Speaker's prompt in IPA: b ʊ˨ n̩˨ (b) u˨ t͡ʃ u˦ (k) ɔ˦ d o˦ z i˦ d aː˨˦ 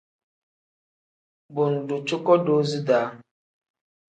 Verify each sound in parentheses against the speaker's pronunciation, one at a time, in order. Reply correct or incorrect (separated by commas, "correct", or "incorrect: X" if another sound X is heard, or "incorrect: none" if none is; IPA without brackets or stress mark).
incorrect: d, correct